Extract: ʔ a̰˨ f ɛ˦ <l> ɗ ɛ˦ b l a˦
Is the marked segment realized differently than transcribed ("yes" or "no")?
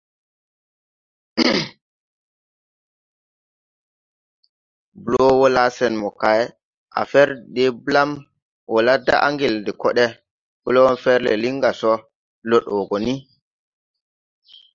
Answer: yes